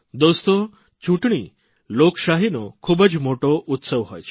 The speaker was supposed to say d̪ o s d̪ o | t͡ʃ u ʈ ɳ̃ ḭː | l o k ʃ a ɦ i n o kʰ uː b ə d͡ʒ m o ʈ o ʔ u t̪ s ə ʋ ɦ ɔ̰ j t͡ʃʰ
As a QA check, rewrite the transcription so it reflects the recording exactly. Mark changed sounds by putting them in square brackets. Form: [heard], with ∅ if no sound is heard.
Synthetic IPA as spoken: d̪ o s [t̪] o | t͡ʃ u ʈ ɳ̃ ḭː | l o k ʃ a ɦ i n o kʰ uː b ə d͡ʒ m o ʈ o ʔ u t̪ s ə ʋ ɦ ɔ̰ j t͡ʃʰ